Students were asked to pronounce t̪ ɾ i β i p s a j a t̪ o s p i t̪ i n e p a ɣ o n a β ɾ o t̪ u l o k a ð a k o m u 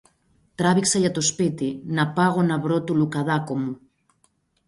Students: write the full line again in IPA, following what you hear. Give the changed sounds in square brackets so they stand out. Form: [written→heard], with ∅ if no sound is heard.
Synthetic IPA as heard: t̪ ɾ [i→a] β i [p→k] s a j a t̪ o s p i t̪ i n [e→a] p a ɣ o n a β ɾ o t̪ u l [o→u] k a ð a k o m u